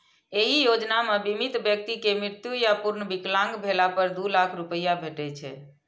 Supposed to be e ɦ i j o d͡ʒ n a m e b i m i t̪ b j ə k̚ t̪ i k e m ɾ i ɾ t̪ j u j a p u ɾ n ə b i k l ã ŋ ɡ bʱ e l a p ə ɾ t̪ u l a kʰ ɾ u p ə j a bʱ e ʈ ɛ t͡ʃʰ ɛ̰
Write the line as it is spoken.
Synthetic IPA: e ɦ i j o d͡ʒ n a m e b i m i t̪ b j ə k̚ t̪ i k e m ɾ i ɾ t̪ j u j a p u ɾ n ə b i k l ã ŋ ɡ bʱ e l a p ə ɾ d̪ u l a kʰ ɾ u p ə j a bʱ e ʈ ɛ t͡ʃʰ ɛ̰